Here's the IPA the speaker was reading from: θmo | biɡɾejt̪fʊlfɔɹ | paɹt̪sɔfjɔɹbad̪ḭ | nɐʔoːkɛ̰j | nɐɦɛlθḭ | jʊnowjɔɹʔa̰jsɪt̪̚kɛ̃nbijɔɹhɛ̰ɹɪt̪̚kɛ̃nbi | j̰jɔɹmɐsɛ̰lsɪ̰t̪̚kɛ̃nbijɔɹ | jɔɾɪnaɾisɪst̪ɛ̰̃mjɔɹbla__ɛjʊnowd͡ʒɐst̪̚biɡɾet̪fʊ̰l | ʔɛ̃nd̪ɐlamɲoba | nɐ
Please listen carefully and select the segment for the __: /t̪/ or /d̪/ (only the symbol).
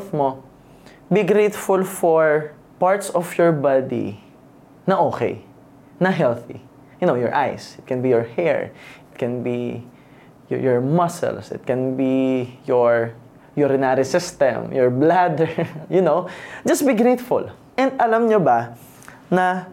d̪